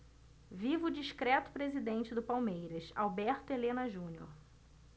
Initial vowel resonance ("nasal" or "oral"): oral